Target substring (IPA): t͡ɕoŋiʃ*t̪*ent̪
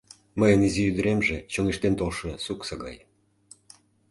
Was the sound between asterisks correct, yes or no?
yes